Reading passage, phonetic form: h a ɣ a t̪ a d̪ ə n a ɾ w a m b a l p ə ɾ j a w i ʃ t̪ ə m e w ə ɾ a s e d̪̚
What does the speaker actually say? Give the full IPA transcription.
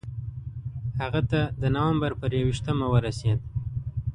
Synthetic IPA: h a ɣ a t̪ a d̪ ə n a w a m b a ɾ p ə ɾ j a w i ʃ t̪ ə m a w ə ɾ a s e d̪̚